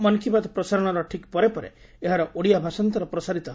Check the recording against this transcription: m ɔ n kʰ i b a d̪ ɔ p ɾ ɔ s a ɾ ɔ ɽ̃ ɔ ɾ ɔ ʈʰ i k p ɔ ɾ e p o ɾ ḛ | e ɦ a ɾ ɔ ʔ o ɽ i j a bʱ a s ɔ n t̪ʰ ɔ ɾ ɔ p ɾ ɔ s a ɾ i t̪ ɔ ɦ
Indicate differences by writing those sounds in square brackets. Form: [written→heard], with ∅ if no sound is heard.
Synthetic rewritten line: m ɔ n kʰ i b a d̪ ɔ p ɾ ɔ s a ɾ ɔ ɽ̃ ɔ ɾ ɔ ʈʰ i k p ɔ ɾ e p [o→ɔ] ɾ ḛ | e ɦ a ɾ ɔ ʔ o ɽ i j a bʱ a s ɔ n [t̪ʰ→t̪] ɔ ɾ ɔ p ɾ ɔ s a ɾ i t̪ ɔ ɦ